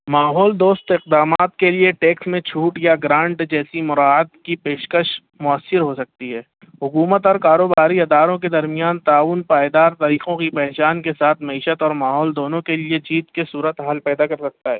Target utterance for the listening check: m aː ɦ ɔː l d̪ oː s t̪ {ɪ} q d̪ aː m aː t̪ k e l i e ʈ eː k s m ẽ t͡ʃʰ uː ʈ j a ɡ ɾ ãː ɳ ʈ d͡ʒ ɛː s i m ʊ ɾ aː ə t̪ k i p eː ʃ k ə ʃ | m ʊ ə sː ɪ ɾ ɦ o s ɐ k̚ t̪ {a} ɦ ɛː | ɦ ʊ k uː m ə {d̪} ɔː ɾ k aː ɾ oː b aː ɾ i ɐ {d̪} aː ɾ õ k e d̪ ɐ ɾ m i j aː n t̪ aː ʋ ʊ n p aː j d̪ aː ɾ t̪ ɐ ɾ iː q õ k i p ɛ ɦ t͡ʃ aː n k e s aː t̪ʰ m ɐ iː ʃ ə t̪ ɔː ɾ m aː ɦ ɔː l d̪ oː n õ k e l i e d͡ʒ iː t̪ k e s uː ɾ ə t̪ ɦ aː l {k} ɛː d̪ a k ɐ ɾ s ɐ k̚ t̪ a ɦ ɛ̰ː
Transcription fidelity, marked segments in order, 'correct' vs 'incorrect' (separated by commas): correct, incorrect, incorrect, correct, incorrect